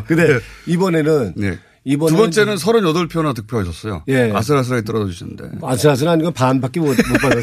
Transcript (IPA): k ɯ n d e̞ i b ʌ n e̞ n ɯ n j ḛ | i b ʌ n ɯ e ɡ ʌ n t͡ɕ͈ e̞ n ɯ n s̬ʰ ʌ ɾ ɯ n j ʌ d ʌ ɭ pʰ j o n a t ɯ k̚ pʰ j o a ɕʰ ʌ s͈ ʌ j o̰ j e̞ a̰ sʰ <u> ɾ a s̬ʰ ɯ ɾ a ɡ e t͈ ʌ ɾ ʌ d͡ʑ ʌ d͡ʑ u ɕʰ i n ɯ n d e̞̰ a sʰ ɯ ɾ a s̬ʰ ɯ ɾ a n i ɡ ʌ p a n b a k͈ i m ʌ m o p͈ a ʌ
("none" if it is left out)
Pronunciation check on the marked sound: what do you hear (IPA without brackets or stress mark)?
ɯ